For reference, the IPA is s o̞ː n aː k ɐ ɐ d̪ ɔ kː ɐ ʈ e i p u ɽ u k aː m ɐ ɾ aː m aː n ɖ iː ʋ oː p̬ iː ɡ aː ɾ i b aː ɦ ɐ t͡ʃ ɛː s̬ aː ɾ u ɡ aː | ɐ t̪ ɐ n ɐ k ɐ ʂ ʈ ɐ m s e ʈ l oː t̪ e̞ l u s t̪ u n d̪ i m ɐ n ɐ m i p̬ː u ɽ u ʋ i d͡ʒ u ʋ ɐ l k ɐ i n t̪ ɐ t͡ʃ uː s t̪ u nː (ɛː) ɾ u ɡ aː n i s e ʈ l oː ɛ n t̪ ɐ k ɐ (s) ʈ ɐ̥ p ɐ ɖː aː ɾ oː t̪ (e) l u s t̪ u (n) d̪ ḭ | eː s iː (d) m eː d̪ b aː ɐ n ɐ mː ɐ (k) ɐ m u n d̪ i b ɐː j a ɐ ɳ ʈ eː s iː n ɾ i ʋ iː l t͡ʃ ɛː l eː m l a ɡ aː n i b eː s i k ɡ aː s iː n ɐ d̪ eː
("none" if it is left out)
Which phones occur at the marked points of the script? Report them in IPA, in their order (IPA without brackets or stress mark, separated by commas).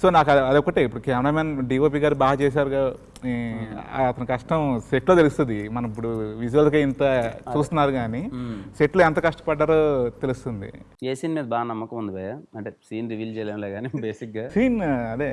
aː, ʂ, e, n, n, k